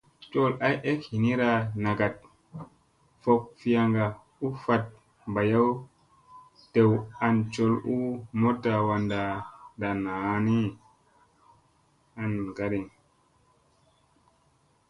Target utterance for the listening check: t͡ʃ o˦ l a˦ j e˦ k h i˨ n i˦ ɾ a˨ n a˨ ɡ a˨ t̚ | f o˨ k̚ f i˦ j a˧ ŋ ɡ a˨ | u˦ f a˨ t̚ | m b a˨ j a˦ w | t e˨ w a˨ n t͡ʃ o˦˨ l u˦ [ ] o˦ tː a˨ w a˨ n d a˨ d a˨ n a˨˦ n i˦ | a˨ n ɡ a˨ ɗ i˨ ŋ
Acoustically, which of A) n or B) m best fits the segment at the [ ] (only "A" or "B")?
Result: B